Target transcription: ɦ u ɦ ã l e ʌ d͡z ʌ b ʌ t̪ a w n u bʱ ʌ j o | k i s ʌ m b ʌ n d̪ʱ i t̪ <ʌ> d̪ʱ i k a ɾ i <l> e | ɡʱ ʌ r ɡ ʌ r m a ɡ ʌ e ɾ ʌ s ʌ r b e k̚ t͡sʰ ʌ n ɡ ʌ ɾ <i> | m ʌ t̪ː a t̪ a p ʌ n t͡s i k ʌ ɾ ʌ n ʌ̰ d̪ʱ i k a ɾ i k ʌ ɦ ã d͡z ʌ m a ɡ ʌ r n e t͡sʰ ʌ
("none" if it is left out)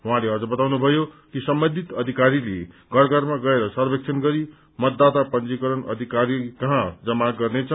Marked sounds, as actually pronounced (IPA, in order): ʌ, l, i

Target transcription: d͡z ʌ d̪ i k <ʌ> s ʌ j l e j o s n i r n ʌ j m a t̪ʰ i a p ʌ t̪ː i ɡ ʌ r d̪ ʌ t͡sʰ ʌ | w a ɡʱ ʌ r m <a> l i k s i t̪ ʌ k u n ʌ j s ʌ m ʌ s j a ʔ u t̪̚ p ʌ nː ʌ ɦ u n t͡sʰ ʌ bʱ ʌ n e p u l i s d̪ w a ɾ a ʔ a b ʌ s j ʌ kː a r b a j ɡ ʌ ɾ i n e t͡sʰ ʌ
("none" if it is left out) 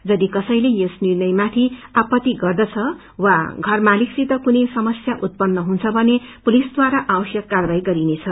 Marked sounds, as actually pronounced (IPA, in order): ʌ, a

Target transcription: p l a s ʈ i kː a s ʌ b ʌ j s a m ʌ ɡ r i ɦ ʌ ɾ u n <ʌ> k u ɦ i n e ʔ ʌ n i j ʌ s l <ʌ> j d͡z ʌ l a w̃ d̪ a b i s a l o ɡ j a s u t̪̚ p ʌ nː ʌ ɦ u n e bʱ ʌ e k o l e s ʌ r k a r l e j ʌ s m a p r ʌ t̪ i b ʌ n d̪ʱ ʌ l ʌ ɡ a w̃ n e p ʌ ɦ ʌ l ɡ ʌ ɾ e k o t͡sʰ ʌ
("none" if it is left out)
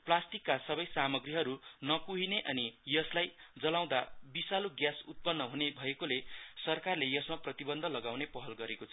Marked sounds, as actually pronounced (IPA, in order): ʌ, a

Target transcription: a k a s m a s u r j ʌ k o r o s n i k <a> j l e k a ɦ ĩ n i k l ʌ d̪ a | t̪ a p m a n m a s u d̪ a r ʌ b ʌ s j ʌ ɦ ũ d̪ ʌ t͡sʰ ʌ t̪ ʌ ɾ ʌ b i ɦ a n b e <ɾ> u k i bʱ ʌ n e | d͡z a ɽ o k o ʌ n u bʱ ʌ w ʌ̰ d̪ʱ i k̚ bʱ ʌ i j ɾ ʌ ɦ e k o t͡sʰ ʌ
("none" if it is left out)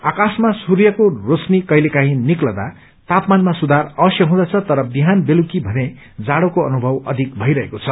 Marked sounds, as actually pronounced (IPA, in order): ʌ, l

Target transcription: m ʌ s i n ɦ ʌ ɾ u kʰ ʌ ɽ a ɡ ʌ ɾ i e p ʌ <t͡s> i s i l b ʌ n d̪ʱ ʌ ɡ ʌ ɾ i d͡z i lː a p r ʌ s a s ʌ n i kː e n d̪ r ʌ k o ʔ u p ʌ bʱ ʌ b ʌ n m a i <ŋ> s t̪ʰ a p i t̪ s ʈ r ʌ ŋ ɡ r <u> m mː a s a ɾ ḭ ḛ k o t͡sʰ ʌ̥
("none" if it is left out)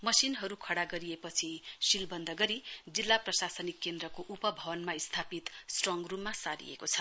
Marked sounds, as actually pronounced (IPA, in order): t͡sʰ, none, u

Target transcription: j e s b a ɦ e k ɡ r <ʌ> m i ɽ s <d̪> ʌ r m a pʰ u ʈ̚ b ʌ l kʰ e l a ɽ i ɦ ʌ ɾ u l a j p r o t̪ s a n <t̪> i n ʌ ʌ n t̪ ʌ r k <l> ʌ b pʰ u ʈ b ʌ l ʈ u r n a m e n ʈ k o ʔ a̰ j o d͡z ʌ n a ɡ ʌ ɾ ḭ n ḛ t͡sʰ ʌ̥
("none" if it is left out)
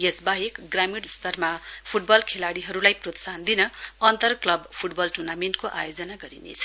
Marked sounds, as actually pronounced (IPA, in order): a, t̪, d̪, l

